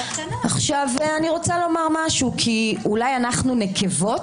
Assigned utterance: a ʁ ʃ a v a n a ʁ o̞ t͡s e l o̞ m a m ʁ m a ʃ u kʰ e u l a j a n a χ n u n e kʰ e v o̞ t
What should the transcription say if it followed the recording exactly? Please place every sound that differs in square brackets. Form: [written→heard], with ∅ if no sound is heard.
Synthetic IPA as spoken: a [ʁ→χ] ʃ a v a n [a→i] ʁ o̞ t͡s [e→a] l o̞ m a [m→∅] ʁ m a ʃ u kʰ [e→i] u l a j a n a χ n u n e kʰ e v o̞ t

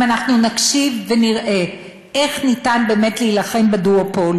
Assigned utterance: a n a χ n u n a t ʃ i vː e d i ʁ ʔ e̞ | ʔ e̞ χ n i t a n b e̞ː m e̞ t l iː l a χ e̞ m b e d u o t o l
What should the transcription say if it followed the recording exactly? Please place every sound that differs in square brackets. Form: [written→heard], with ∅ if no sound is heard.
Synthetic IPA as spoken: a n a χ n u n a [t→k] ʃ i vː e [d→n] i ʁ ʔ e̞ | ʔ e̞ χ n i t a n b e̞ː m e̞ t l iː l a χ e̞ m b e d u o [t→p] o l

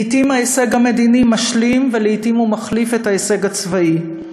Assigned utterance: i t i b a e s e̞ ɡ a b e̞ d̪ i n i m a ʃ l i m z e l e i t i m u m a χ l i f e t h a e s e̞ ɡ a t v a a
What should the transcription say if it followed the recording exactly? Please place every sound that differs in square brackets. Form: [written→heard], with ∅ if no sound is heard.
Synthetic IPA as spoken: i t i [b→m] a e s e̞ ɡ a [b→m] e̞ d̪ i n i m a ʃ l i m [z→v] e l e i t i m u m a χ l i f e t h a e s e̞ ɡ a [t→t͡s] v a [a→i]

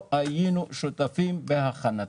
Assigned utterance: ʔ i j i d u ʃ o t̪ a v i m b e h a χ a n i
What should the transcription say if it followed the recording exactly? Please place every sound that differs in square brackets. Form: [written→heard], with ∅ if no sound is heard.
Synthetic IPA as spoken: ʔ [i→a] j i [d→n] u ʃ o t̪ a [v→f] i m b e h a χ a n [i→a]

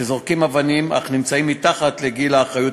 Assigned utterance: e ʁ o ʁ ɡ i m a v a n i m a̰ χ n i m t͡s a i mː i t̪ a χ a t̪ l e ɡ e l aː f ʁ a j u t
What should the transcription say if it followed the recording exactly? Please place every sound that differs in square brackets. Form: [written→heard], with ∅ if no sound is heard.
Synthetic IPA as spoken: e [ʁ→z] o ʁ [ɡ→k] i m a v a n i m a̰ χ n i m t͡s a i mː i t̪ a χ a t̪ l e ɡ [e→i] l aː [f→χ] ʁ a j u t

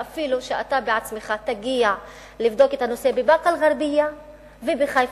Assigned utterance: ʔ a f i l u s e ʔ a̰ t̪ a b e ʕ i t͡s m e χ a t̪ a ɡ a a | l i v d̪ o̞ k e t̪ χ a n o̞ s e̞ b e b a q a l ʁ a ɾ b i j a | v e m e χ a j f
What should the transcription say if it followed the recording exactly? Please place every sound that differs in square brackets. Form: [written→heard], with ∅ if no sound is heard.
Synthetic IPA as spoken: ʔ a f i l u [s→ʃ] e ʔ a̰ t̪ a b e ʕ [i→a] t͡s m e χ a t̪ a ɡ [a→i] a | l i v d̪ o̞ k e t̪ [χ→h] a n o̞ s e̞ b e b a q a l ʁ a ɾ b i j a | v e [m→b] e χ a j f

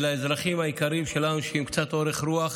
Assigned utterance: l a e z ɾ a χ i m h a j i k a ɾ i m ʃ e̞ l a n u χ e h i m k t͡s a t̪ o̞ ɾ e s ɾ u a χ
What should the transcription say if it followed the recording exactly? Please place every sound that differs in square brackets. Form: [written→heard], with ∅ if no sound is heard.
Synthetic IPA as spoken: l a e z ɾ a χ i m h a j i k a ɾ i m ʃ e̞ l a n u [χ→ʃ] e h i m k t͡s a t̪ o̞ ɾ e [s→χ] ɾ u a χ

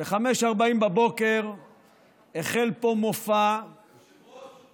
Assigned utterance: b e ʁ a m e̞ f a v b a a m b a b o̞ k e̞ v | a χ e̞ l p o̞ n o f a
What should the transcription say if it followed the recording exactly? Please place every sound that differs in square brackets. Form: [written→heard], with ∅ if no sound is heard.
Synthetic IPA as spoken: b e [ʁ→χ] a m e̞ [f→ʃ] a [v→ʁ] b a [a→i] m b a b o̞ k e̞ [v→ʁ] | [a→e] χ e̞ l p o̞ [n→m] o f a

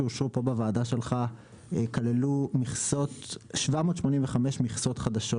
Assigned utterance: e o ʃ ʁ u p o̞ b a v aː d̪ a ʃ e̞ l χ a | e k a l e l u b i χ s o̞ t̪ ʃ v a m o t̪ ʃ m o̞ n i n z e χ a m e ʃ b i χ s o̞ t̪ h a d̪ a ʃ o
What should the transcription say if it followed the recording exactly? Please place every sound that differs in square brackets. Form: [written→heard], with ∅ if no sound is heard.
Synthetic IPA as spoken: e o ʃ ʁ u p o̞ b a v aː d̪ a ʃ e̞ l χ a | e k a l e l u [b→m] i χ s o̞ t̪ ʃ v a m o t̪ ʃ m o̞ n i n [z→v] e χ a m e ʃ [b→m] i χ s o̞ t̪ [h→χ] a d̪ a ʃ o

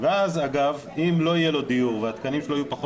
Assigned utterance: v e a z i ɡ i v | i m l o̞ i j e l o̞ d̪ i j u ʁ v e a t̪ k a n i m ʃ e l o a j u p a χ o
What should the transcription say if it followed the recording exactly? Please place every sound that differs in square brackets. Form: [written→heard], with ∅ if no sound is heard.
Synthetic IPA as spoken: v e a z [i→a] ɡ [i→a] v | i m l o̞ i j e l o̞ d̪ i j u ʁ v e a t̪ k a n i m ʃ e l o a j u p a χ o

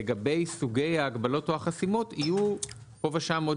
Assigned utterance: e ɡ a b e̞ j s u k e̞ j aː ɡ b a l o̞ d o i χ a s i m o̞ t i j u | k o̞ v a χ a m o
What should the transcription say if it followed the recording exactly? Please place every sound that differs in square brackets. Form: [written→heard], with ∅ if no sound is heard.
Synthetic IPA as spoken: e ɡ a b e̞ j s u [k→ɡ] e̞ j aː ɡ b a l o̞ [d→t] o [i→a] χ a s i m o̞ t i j u | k o̞ v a [χ→ʃ] a m o

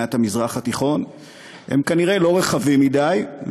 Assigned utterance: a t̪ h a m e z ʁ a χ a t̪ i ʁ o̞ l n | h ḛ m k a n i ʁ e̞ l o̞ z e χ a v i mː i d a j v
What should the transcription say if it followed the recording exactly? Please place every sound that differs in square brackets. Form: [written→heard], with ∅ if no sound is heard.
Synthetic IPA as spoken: a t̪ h a m [e→i] z ʁ a χ a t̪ i [ʁ→χ] o̞ [l→∅] n | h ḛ m k a n i ʁ e̞ l o̞ [z→ʁ] e χ a v i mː i d a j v

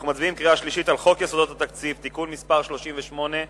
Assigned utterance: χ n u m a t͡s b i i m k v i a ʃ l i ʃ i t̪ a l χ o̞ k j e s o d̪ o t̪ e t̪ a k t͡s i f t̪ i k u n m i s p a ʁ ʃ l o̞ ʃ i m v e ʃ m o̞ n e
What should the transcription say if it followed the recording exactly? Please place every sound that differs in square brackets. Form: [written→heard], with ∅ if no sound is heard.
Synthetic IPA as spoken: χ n u m a t͡s b i i m k [v→ʁ] i a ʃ l i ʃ i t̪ a l χ o̞ k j e s o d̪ o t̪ [e→a] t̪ a k t͡s i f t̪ i k u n m i s p a ʁ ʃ l o̞ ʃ i m v e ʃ m o̞ n e

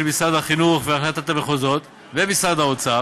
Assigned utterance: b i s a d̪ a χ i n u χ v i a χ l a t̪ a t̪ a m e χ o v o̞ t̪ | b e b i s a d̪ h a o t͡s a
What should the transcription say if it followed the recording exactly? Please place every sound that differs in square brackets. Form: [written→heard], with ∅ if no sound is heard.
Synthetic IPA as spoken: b i s a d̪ a χ i n u χ v [i→e] a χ l a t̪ a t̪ a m e χ o [v→z] o̞ t̪ | [b→v] e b i s a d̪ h a o t͡s a

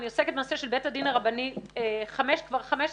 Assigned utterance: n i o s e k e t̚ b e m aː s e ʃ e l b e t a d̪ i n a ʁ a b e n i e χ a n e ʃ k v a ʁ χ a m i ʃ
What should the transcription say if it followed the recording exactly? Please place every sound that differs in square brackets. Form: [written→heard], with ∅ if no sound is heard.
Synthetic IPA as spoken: n i o s e k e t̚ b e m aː s e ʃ e l b e t a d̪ i n a ʁ a b [e→a] n i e χ a [n→m] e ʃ k v a ʁ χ a m [i→e] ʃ

